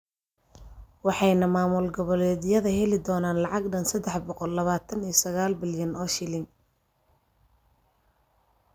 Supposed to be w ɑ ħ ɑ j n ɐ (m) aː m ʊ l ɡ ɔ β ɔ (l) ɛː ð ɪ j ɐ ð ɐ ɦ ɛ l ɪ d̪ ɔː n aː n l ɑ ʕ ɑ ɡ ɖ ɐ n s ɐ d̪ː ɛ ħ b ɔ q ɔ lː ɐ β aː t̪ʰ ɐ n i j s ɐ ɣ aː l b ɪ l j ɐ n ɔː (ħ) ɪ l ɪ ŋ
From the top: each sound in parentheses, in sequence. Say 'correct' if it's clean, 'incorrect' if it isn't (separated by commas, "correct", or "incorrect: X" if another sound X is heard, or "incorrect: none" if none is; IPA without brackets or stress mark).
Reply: correct, correct, incorrect: ʃ